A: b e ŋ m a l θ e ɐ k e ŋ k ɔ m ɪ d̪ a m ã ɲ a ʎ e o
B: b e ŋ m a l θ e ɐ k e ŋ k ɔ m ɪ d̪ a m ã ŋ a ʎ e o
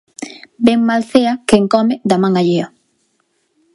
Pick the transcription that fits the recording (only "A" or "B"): B